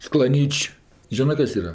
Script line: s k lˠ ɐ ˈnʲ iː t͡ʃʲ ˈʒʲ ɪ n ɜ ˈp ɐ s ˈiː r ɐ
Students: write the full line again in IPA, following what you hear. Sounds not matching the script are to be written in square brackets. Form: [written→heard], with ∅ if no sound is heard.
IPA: s k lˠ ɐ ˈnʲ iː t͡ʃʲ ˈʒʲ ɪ n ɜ [ˈp→ˈk] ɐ s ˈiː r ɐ